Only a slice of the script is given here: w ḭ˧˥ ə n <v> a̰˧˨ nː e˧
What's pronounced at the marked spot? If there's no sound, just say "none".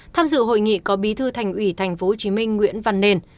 v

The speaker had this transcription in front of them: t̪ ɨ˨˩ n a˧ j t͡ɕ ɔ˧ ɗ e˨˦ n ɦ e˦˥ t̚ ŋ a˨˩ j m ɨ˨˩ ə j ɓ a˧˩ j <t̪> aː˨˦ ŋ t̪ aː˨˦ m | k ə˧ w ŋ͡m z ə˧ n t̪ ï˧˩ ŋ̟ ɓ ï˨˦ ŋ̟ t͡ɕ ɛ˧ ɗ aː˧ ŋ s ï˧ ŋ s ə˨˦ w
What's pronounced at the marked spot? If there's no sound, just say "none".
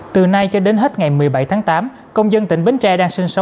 t̪ʰ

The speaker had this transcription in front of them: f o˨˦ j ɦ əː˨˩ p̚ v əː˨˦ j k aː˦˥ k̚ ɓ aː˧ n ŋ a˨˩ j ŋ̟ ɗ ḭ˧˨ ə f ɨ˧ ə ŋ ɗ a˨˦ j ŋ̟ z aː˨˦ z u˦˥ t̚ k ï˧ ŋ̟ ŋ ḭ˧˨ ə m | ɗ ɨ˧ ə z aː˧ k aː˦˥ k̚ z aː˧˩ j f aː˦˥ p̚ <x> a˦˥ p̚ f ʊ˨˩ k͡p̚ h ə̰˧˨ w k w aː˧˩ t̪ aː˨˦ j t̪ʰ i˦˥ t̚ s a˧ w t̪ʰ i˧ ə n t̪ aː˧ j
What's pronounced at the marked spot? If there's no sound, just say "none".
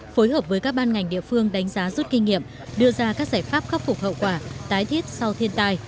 x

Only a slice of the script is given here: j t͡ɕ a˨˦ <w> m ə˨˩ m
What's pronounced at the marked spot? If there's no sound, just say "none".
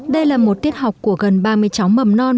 w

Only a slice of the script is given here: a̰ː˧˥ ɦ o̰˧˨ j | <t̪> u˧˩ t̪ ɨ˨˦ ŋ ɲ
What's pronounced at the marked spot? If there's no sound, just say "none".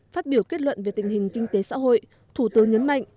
t̪ʰ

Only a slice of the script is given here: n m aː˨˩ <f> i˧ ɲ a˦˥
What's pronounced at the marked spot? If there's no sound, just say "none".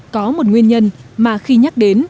x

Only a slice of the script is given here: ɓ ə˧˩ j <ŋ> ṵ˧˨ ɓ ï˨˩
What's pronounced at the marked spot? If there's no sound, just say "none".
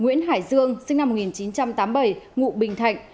ŋ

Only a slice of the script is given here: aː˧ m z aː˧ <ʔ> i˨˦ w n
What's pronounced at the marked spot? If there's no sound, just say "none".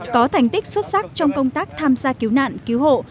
k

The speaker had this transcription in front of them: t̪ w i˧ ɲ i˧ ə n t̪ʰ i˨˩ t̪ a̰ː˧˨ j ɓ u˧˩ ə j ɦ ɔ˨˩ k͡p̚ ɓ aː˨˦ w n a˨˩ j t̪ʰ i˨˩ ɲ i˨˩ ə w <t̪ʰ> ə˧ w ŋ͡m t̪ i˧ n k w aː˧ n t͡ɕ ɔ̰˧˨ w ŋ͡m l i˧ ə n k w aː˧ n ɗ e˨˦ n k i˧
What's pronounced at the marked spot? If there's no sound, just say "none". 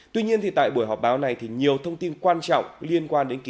t̪ʰ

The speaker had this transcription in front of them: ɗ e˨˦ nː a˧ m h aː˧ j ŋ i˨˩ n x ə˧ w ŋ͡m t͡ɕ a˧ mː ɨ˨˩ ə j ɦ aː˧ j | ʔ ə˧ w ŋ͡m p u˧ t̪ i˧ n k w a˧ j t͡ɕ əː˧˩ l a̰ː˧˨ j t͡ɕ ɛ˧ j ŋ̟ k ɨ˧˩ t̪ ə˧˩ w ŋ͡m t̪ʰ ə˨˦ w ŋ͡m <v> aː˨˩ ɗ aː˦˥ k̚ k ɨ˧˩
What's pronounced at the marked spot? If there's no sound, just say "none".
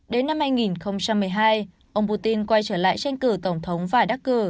v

